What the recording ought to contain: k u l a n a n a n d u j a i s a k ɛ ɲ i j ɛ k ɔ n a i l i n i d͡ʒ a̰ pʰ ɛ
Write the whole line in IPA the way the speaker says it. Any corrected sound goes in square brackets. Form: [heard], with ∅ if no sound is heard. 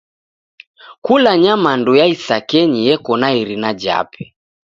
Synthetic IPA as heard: k u l a [ɲ] a [m] a n d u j a i s a k ɛ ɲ i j ɛ k ɔ n a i [ɾ] i n [a] d͡ʒ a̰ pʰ ɛ